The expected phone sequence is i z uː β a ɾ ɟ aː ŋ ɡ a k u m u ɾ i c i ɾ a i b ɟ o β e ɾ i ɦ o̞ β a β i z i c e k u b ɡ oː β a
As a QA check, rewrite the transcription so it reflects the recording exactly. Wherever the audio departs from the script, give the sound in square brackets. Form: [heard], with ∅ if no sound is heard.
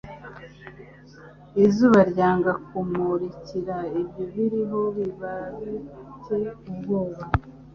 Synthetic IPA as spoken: i z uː β a ɾ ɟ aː ŋ ɡ a k u m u ɾ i c i ɾ a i b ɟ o β [i] ɾ i ɦ o̞ β [i] β [a] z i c e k u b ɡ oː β a